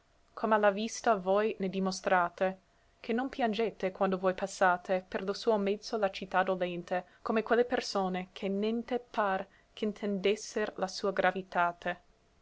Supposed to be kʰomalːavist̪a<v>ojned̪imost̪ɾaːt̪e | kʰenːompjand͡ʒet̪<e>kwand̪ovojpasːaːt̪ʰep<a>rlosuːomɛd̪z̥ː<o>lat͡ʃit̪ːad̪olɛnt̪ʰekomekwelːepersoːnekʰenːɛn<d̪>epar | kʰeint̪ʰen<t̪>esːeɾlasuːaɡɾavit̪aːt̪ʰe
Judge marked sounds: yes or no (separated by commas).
yes, yes, no, yes, no, no